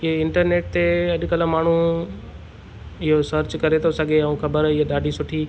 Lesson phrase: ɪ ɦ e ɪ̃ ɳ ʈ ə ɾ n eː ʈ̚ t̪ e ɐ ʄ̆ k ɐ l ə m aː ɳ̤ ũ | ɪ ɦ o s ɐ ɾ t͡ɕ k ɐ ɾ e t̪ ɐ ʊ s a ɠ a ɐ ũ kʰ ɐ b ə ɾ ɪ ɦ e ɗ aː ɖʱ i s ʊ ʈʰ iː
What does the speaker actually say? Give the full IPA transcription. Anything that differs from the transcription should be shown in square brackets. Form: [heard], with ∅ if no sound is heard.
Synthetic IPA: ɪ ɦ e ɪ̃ ɳ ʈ ə ɾ n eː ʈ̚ t̪ e ɐ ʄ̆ k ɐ l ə m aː ɳ̤ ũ | ɪ ɦ o s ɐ ɾ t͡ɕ k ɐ ɾ e t̪ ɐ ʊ s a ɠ [e] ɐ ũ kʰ ɐ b ə ɾ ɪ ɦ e ɗ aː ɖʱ i s ʊ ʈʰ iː